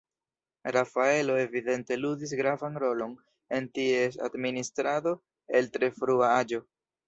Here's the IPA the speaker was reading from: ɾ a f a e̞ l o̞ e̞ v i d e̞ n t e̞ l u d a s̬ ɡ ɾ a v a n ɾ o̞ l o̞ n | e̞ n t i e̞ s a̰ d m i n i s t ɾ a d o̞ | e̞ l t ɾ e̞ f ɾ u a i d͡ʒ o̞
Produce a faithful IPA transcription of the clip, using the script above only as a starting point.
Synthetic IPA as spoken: ɾ a f a e̞ l o̞ e̞ v i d e̞ n t e̞ l u d i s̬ ɡ ɾ a v a n ɾ o̞ l o̞ n | e̞ n t i e̞ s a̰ d m i n i s t ɾ a d o̞ | e̞ l t ɾ e̞ f ɾ u a a d͡ʒ o̞